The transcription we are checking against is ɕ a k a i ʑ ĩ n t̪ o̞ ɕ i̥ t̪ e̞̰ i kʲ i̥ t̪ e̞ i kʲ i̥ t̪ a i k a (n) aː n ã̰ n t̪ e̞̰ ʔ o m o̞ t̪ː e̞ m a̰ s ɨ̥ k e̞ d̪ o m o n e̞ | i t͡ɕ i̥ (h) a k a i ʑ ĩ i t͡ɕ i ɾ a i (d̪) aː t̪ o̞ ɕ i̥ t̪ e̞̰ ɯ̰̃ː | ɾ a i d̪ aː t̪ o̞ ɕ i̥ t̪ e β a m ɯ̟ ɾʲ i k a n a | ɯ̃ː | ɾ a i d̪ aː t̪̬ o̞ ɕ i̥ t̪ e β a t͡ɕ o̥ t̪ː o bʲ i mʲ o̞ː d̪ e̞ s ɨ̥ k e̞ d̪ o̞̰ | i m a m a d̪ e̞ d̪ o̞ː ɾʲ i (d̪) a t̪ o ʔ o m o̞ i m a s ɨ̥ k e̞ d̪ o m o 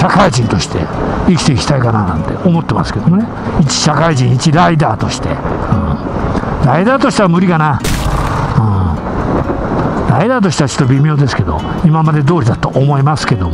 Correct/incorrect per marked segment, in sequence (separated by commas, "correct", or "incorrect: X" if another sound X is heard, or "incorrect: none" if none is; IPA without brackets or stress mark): correct, incorrect: ɕ, correct, correct